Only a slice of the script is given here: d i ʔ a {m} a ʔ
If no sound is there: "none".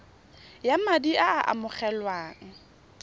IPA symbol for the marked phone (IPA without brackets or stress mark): none